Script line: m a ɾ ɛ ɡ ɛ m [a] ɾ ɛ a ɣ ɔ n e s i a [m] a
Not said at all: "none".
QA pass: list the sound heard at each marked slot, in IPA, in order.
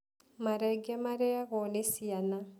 a, n

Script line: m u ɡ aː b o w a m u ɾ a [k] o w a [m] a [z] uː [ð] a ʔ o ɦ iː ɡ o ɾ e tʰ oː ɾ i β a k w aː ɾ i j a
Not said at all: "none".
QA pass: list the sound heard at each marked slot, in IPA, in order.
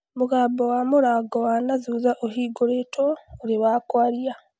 ɡ, n, z, z

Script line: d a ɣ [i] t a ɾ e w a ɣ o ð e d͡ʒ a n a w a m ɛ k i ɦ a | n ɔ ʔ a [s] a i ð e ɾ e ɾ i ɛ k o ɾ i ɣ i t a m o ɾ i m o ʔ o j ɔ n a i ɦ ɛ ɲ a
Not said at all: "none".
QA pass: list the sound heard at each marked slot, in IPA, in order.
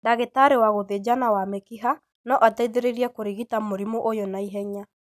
e, t

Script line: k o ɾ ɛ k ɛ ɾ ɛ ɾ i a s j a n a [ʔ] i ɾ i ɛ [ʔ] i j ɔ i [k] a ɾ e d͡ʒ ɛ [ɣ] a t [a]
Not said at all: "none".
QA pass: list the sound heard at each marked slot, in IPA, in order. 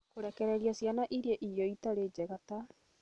ʔ, ʔ, t, ɣ, a

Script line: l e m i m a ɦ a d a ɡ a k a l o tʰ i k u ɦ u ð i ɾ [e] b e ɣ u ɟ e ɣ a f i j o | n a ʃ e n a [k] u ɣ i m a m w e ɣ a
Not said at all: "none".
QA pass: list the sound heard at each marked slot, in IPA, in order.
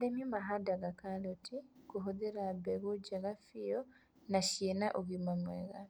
a, ʔ

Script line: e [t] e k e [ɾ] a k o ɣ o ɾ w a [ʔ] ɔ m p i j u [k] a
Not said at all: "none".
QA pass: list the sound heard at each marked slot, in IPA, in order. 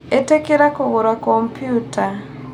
t, ɾ, k, t

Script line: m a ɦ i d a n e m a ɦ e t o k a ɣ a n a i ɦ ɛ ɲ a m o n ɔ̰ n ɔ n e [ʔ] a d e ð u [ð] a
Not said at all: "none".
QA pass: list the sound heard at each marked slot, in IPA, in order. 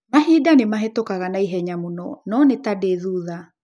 t, ð

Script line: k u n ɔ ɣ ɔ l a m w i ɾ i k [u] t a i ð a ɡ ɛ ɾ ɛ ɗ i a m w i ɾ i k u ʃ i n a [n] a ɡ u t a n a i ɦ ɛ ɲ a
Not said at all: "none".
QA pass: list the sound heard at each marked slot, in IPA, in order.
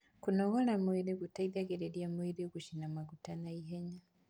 u, m

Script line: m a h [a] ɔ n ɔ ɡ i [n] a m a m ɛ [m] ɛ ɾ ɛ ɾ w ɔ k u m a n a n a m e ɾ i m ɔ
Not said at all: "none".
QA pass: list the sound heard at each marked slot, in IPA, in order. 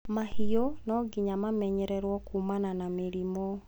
i, ɲ, ɲ

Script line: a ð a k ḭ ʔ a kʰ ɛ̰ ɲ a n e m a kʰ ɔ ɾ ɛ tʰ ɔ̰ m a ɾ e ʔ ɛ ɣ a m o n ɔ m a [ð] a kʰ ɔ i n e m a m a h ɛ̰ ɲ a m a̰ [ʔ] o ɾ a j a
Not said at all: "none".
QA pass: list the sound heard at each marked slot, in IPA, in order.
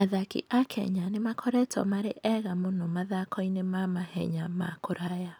ð, k

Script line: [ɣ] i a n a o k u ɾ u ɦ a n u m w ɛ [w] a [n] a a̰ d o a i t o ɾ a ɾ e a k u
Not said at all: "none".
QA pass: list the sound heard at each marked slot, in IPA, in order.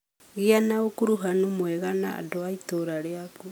ɣ, ɣ, n

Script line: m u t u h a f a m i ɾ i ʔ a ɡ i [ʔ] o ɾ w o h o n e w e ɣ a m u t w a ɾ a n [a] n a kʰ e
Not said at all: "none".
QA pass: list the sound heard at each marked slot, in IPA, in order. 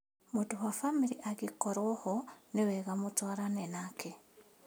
k, e

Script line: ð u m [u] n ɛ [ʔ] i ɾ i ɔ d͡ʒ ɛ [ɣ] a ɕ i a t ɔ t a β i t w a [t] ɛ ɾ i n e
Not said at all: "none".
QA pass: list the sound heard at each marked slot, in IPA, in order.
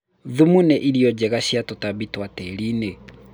u, ʔ, ɣ, t

